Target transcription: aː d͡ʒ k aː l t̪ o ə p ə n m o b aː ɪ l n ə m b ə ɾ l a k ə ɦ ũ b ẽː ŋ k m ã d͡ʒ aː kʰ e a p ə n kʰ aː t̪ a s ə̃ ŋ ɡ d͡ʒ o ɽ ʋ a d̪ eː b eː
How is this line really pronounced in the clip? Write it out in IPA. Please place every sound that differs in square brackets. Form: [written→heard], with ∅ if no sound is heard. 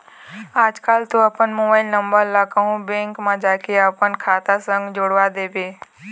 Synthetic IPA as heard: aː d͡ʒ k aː l t̪ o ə p ə n m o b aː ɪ l n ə m b ə ɾ l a k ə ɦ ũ b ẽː ŋ k m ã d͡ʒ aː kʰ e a p ə n kʰ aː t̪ a s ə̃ ŋ ɡ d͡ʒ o ɽ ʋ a d̪ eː b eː